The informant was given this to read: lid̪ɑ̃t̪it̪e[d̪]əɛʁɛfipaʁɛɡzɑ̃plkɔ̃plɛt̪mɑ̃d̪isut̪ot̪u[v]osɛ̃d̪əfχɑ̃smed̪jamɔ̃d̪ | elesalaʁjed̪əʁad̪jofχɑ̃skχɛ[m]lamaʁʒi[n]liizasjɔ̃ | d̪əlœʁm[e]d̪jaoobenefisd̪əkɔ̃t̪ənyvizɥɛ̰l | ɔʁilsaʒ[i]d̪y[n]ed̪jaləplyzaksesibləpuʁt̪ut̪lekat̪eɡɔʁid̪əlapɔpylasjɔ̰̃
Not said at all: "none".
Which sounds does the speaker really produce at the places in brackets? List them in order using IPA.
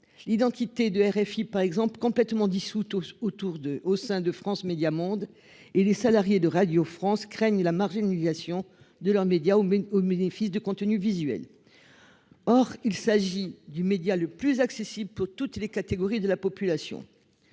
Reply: d̪, ʁ, ɲ, n, e, i, m

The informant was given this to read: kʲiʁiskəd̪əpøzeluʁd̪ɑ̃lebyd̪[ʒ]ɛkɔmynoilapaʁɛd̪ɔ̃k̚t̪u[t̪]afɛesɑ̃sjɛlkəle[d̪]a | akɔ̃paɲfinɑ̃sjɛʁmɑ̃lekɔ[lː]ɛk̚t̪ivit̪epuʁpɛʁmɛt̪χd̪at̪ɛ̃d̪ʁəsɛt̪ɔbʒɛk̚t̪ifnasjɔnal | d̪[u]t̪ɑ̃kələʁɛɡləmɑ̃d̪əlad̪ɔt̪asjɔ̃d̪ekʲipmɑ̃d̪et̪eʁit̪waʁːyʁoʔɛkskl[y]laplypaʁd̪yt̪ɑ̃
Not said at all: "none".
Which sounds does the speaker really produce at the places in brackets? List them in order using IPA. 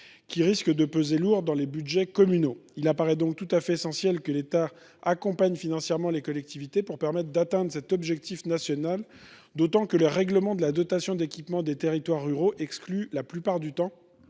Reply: ʒ, t̪, t̪, l, o, y

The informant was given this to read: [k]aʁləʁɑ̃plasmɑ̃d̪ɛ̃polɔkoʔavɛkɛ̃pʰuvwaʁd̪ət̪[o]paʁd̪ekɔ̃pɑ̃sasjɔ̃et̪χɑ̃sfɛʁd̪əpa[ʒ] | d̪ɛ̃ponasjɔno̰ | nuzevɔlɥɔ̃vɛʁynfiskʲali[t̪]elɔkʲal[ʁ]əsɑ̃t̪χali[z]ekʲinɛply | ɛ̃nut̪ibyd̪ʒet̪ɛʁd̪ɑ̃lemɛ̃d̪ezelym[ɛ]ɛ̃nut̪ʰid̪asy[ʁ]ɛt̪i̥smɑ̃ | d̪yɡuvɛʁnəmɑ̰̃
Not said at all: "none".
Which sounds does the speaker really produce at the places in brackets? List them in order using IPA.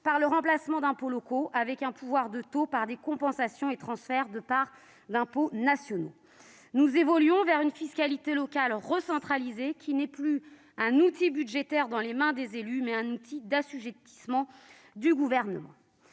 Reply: p, o, ʁ, t̪, ʁ, z, ɛ, ʒ

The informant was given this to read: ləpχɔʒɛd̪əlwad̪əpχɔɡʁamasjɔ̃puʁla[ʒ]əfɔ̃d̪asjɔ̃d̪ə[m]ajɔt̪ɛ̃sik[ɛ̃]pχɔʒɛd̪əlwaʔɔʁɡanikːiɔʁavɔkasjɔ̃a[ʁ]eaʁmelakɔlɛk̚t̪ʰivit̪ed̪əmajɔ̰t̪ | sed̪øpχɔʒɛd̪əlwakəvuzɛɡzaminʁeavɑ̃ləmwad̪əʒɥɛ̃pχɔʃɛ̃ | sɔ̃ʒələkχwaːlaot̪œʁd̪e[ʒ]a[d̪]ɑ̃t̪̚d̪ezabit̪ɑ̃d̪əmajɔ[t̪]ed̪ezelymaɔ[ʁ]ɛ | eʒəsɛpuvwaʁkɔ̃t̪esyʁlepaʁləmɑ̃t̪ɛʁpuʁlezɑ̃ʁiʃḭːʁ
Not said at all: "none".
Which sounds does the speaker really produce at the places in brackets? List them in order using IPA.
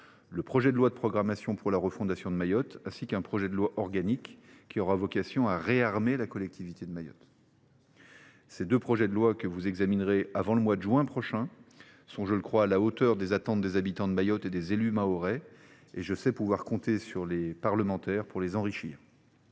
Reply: ʁ, m, ɛ̃, ʁ, z, t̪, t̪, ʁ

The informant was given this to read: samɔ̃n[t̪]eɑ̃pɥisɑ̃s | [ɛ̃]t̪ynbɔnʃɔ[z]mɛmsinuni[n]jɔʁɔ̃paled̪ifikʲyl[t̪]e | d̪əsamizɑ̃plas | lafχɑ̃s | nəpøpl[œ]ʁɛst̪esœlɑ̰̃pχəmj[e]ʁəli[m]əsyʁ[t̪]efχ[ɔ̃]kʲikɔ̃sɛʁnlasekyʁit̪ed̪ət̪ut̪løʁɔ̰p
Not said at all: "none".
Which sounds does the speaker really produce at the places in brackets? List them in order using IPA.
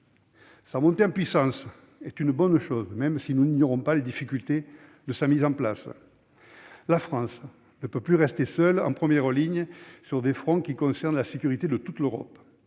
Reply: t̪, ɛ, z, ɲ, t̪, y, ɛ, ɲ, d̪, ɔ̃

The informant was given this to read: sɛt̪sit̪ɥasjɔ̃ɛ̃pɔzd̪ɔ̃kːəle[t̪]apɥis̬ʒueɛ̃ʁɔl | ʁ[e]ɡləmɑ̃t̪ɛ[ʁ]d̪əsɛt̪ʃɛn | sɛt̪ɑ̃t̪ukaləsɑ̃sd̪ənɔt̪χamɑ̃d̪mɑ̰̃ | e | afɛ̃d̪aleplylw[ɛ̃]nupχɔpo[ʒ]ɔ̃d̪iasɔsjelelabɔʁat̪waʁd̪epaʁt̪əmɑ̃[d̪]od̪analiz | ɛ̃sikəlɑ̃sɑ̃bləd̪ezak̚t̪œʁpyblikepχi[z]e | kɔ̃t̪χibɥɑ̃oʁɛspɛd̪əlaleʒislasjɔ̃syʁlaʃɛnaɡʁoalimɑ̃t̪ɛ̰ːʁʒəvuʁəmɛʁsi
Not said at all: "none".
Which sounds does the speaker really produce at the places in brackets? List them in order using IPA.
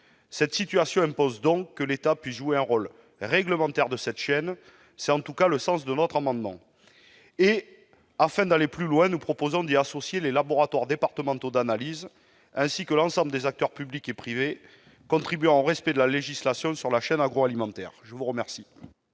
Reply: t̪, ɛ, ʁ, ɛ̃, z, t̪, v

